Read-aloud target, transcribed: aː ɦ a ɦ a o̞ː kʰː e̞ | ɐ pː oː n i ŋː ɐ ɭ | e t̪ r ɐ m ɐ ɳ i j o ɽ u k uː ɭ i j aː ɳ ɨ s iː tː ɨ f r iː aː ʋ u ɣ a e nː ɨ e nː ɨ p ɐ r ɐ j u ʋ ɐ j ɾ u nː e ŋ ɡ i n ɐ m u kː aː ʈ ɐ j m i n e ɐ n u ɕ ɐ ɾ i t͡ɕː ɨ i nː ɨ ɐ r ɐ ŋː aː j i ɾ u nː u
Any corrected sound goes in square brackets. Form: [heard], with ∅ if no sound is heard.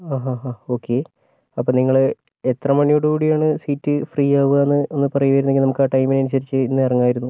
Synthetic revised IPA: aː ɦ a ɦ a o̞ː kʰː e̞ | ɐ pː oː n i ŋː ɐ ɭ | e t̪ r ɐ m ɐ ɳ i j o ɽ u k uː [ɽ] i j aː ɳ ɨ s iː tː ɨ f r iː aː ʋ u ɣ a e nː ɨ e nː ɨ p ɐ r ɐ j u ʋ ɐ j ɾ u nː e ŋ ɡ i n ɐ m u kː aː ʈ ɐ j m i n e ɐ n u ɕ ɐ ɾ i t͡ɕː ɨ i nː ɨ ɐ r ɐ ŋː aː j i ɾ u nː u